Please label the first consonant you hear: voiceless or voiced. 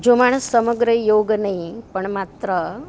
voiced